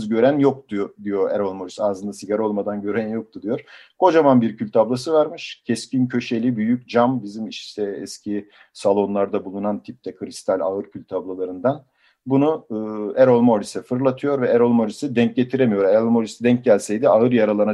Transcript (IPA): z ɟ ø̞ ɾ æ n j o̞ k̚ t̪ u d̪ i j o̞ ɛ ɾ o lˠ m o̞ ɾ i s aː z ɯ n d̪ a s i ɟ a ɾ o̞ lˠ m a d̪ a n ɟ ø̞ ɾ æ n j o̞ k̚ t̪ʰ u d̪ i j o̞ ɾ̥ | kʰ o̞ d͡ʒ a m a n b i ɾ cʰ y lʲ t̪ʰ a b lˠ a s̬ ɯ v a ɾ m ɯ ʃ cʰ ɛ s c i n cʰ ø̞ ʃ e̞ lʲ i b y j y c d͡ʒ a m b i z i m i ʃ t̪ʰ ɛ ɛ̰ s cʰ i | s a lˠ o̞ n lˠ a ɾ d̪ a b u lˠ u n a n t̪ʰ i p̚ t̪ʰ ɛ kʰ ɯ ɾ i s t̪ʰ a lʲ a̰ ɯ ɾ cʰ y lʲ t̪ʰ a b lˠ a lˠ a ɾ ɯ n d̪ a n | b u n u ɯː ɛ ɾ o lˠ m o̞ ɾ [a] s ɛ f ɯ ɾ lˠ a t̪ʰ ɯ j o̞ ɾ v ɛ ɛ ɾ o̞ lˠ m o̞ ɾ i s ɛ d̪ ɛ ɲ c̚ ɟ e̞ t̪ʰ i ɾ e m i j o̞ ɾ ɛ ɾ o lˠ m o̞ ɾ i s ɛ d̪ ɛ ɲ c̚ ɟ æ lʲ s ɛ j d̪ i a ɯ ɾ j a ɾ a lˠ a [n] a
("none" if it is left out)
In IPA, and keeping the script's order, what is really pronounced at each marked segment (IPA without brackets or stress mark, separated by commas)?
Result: i, n